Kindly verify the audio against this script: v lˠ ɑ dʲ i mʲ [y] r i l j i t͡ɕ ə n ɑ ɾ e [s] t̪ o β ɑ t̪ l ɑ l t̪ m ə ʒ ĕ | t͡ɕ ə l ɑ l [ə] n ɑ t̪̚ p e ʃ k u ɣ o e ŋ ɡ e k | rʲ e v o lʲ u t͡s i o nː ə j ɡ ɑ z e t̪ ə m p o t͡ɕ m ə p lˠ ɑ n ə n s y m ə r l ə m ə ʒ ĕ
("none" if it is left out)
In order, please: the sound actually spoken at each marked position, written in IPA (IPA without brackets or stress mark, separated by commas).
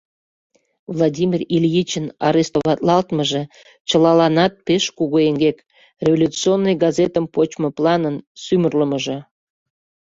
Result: i, s, ɑ